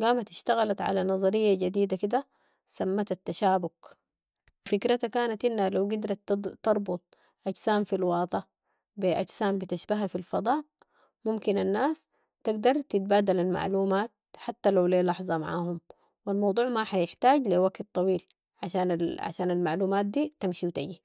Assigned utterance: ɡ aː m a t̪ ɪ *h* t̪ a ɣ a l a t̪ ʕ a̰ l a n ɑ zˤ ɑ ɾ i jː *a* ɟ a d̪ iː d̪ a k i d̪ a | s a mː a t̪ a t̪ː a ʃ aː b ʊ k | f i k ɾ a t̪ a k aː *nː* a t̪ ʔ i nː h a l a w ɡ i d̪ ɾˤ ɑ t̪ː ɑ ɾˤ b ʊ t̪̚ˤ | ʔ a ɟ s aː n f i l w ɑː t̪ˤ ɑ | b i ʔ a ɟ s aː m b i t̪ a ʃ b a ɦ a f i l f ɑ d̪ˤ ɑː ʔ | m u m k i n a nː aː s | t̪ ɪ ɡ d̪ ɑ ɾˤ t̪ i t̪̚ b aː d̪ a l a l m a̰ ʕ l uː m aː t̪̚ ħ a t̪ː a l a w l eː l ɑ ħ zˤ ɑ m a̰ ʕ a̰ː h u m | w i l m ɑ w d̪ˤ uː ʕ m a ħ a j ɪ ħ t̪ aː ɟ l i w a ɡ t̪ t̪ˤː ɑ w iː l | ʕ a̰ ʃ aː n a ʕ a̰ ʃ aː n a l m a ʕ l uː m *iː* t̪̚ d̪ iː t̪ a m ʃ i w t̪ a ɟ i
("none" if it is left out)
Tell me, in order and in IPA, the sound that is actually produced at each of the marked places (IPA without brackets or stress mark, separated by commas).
ʃ, a, n, aː